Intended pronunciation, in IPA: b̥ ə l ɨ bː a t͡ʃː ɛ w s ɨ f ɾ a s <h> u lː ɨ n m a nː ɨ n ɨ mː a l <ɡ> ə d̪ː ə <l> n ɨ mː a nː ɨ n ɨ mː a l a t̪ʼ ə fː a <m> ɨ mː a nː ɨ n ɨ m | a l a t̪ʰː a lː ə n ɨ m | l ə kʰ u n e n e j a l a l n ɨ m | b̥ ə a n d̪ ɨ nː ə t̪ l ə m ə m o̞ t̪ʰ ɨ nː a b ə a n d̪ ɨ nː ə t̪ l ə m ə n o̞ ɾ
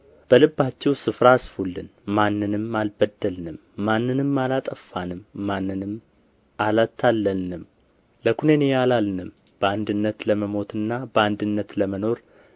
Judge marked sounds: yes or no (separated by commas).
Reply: no, no, yes, no